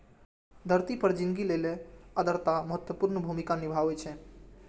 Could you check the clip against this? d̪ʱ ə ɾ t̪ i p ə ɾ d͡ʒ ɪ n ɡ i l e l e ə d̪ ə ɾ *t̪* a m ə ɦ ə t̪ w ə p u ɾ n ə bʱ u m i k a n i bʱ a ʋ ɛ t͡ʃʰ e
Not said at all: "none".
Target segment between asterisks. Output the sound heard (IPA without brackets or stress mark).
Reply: t̪